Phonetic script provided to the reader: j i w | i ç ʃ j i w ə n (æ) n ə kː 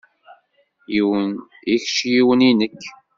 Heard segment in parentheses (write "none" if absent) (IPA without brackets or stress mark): i